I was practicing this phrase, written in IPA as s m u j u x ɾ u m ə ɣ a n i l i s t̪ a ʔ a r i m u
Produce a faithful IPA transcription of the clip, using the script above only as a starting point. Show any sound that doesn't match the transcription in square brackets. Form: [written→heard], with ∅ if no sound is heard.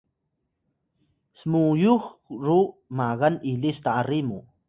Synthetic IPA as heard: s m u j u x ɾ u m [ə→a] ɣ a n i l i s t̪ a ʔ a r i m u